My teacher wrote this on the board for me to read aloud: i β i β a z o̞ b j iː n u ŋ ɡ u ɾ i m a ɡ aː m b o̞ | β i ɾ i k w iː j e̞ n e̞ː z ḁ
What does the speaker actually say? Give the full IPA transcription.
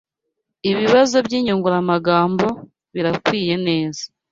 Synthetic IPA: i β i β a z o̞ b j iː ɲ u ŋ ɡ u ɾ a m a ɡ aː m b o̞ | β i ɾ a k w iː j e̞ n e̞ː z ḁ